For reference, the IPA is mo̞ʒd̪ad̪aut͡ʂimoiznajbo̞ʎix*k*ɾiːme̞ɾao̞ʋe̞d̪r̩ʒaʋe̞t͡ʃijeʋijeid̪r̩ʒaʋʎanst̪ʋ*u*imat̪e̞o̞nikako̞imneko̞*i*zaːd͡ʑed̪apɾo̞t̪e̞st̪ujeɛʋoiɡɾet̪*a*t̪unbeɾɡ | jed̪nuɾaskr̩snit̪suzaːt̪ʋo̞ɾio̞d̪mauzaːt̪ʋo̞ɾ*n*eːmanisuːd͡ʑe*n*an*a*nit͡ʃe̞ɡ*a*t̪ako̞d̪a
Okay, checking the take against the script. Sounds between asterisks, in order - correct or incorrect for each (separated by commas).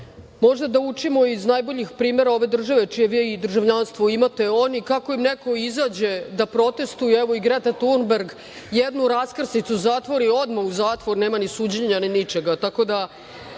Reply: incorrect, incorrect, correct, correct, correct, incorrect, incorrect, correct